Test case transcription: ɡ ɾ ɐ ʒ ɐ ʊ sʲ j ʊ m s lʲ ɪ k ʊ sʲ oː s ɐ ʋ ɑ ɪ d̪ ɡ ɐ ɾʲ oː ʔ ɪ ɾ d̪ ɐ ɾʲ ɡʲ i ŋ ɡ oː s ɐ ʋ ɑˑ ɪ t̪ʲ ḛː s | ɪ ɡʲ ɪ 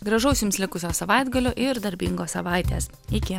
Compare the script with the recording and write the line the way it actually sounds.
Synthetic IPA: ɡ ɾ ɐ ʒ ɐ ʊ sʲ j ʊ m s lʲ ɪ k ʊ sʲ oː s ɐ ʋ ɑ ɪ d̪ ɡ ɐ lʲ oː ʔ ɪ ɾ d̪ ɐ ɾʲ bʲ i ŋ ɡ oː s ɐ ʋ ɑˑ ɪ t̪ʲ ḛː s | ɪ kʲ ɪ